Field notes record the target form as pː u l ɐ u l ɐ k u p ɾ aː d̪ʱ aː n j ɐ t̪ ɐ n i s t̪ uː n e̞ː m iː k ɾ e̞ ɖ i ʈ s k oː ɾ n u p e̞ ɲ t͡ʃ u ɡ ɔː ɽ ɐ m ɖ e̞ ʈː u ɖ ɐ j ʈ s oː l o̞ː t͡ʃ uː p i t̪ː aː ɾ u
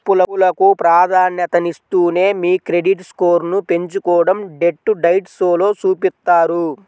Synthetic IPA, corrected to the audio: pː u l ɐ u l ɐ k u p ɾ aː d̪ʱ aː n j ɐ t̪ ɐ n i s t̪ uː n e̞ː m iː k ɾ e̞ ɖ i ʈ s k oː ɾ n u p e̞ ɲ t͡ʃ u k ɔː ɽ ɐ m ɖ e̞ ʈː u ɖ ɐ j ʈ s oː l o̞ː t͡ʃ uː p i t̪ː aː ɾ u